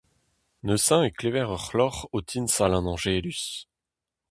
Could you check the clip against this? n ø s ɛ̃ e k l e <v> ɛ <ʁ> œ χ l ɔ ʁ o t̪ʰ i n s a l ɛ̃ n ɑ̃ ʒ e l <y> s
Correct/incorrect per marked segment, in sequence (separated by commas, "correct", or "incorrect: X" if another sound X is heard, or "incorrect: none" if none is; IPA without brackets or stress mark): correct, correct, correct